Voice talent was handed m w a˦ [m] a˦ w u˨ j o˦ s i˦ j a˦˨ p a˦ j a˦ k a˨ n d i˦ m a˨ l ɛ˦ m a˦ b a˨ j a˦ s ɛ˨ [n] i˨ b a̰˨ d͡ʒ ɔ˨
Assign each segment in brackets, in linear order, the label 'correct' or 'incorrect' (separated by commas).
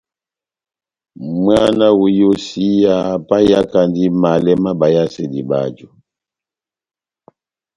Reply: incorrect, incorrect